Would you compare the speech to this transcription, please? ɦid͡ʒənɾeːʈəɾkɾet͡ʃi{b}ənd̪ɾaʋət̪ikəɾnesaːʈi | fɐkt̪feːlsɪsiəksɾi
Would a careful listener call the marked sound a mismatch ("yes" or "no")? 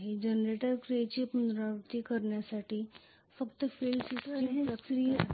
yes